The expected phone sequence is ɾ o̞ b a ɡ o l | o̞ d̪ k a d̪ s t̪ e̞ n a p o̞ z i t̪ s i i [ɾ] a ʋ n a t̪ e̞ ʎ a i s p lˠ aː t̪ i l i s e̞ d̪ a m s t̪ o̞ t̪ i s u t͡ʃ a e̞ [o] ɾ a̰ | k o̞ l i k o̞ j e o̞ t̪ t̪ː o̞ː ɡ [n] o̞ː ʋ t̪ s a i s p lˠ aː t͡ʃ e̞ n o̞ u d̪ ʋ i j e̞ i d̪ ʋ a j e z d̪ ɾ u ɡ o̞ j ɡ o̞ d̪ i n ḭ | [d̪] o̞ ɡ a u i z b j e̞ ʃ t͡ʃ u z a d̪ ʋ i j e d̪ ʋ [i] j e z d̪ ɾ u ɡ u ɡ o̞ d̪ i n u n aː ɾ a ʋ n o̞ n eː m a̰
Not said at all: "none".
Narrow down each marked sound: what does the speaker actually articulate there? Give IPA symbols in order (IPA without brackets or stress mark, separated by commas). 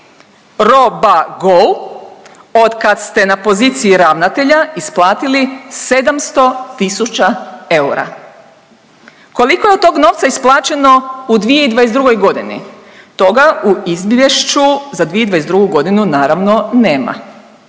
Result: ɾ, u, n, t̪, a